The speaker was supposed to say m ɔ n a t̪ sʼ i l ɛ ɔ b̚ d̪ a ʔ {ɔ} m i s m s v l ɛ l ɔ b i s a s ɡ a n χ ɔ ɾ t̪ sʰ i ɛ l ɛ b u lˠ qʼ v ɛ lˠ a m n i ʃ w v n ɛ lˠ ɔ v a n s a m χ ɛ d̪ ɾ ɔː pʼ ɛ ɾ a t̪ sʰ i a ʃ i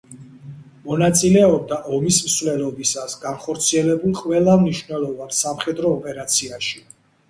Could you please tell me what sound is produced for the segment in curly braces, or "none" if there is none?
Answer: ɔ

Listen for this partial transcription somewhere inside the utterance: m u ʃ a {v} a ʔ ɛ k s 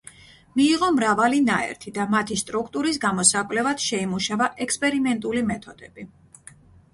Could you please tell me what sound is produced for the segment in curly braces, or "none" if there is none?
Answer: v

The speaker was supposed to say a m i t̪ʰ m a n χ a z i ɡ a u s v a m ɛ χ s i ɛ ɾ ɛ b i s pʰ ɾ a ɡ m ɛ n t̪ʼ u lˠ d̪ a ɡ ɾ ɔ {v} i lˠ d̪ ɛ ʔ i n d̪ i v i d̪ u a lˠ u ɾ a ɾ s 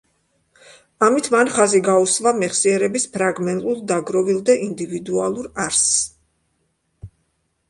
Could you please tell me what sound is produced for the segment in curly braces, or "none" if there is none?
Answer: v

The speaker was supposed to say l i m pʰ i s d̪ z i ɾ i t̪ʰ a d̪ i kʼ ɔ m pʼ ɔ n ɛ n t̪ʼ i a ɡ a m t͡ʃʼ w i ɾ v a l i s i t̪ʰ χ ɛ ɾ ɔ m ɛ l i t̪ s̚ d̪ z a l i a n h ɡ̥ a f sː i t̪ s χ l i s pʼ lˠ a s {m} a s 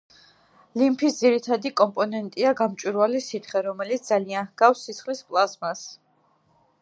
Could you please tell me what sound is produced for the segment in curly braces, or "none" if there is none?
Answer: m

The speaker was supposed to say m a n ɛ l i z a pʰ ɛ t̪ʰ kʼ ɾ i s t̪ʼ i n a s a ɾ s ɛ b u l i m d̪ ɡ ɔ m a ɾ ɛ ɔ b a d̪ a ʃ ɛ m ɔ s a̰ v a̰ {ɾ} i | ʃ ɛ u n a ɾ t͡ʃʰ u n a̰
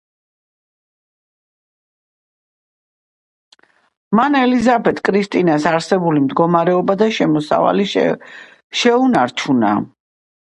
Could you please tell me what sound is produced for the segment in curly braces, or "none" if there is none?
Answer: l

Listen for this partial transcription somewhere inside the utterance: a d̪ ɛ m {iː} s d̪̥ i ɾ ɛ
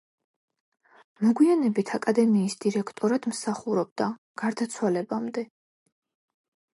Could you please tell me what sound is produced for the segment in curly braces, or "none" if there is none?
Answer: iː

